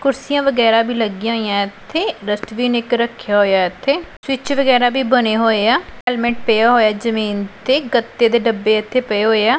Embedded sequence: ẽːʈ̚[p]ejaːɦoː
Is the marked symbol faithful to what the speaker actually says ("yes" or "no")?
yes